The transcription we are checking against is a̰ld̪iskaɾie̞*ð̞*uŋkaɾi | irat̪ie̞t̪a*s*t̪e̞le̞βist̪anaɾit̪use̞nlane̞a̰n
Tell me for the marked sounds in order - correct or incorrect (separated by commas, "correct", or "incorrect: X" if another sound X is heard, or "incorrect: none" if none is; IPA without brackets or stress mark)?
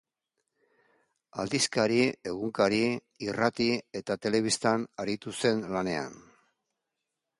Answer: incorrect: ɣ̞, incorrect: none